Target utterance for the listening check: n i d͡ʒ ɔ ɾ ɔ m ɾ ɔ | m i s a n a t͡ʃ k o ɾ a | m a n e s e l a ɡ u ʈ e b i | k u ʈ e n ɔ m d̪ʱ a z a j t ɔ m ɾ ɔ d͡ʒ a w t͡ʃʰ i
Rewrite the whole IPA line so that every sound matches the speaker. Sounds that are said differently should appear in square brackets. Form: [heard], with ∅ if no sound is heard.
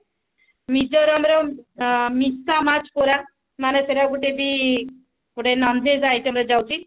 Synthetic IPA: [m] i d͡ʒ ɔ ɾ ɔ m ɾ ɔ | m i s a [m] a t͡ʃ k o ɾ a | m a n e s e [ɾ] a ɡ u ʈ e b i | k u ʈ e n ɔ [n] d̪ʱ [e] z a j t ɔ m ɾ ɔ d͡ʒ a w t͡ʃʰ i